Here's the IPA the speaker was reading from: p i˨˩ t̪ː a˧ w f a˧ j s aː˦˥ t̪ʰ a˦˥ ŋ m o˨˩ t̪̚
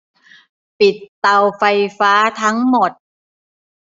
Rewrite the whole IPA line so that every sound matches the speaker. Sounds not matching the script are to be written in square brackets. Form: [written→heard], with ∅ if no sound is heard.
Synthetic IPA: p i˨˩ t̪ː a˧ w f a˧ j [s→f] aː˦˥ t̪ʰ a˦˥ ŋ m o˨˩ t̪̚